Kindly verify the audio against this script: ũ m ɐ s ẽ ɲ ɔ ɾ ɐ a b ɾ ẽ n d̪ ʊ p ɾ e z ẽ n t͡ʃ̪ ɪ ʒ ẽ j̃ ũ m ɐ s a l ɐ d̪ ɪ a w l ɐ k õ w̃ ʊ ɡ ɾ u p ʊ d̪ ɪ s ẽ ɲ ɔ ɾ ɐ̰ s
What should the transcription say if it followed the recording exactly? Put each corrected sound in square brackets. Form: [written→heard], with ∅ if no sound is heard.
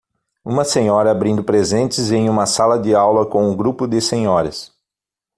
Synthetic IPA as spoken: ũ m ɐ s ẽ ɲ ɔ ɾ ɐ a b ɾ [ẽ→ĩ] n d̪ ʊ p ɾ e z ẽ n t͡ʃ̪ ɪ [ʒ→z] ẽ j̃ ũ m ɐ s a l ɐ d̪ ɪ a w l ɐ k õ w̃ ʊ ɡ ɾ u p ʊ d̪ ɪ s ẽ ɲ ɔ ɾ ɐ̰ s